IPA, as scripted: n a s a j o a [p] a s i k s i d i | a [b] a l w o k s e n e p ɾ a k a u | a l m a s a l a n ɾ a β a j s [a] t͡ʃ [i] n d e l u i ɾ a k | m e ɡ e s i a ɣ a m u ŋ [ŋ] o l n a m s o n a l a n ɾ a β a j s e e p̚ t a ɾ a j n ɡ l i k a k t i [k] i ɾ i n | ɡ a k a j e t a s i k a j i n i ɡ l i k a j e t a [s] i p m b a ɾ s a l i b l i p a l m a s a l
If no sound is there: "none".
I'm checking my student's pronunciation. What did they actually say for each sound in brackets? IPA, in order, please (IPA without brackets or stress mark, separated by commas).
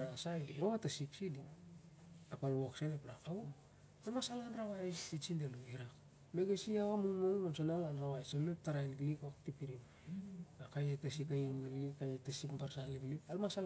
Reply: t, p, i, i, m, p, s